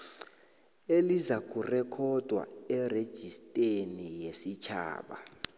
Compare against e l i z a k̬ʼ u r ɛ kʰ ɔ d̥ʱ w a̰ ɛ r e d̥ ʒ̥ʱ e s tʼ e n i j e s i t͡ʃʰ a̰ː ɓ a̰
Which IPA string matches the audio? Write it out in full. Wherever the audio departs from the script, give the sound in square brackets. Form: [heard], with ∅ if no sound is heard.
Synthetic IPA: e l i z a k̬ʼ u r ɛ kʰ ɔ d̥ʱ w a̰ ɛ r e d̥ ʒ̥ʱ [i] s tʼ e n i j e s i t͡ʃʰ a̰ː ɓ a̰